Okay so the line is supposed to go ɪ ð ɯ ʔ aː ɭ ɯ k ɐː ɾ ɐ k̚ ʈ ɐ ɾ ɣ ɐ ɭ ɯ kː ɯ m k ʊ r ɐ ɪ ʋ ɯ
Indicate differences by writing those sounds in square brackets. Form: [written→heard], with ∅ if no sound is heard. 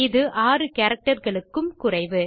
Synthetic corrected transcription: ɪ ð ɯ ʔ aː [ɭ→r] ɯ k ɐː ɾ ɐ k̚ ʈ ɐ ɾ ɣ ɐ ɭ ɯ kː ɯ m k ʊ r ɐ ɪ ʋ ɯ